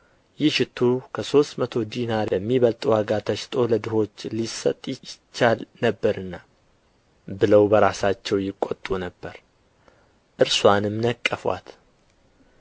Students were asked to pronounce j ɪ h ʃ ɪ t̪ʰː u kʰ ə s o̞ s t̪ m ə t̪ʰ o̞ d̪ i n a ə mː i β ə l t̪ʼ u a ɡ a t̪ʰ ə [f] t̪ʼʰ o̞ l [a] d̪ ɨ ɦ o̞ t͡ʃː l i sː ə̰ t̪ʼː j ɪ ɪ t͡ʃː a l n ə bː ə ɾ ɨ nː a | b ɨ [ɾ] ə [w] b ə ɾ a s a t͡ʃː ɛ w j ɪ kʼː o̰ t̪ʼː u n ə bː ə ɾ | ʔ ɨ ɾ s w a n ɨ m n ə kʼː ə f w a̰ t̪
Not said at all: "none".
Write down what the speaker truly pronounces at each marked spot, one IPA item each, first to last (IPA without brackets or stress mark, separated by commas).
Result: ʃ, ə, l, w